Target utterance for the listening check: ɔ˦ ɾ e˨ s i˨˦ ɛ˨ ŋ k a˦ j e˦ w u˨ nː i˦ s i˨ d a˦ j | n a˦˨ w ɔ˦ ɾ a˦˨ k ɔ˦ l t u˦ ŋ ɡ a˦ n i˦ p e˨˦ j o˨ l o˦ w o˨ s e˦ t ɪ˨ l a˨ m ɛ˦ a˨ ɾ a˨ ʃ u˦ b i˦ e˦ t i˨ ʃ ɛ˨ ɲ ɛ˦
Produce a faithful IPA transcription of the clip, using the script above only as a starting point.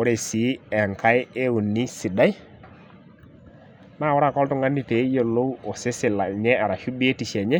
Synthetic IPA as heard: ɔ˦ ɾ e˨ s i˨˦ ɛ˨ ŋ k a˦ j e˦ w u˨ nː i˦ s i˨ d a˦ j | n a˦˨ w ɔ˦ ɾ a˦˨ k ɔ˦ l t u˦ ŋ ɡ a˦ n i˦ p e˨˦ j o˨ l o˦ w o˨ s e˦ s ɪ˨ l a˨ ɲ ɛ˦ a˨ ɾ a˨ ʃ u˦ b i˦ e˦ t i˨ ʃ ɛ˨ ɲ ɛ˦